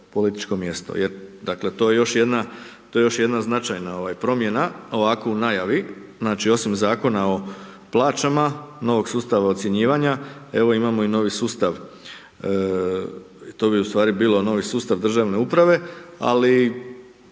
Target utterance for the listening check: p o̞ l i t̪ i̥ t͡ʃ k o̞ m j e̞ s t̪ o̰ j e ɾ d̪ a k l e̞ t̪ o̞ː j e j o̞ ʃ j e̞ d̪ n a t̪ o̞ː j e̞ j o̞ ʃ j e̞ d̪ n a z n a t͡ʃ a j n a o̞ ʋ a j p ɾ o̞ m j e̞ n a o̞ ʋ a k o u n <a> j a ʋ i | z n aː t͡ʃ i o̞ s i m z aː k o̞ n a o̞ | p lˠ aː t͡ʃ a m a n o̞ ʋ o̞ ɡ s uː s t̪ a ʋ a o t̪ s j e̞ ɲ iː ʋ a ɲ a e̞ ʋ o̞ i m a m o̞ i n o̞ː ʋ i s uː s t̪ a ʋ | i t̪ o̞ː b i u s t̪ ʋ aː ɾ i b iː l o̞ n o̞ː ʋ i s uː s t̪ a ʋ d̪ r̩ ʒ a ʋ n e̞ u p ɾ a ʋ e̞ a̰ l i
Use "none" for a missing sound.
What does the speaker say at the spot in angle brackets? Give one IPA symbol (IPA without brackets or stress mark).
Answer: a